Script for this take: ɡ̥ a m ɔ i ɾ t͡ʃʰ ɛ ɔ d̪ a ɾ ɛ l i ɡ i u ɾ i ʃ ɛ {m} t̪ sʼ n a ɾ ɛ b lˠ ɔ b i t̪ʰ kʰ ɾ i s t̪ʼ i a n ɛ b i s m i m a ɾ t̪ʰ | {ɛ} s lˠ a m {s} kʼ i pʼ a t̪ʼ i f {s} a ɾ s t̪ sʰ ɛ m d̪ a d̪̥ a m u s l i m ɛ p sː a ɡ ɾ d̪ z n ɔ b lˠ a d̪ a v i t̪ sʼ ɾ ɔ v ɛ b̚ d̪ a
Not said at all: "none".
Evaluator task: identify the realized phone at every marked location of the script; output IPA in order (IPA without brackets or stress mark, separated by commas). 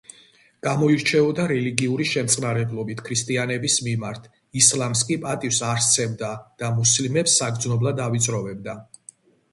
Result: m, i, s, s